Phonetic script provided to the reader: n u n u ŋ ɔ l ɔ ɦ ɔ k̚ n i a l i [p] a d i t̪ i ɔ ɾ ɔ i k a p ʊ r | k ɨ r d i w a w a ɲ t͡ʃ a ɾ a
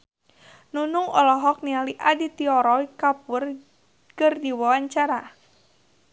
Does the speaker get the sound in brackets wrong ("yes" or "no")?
yes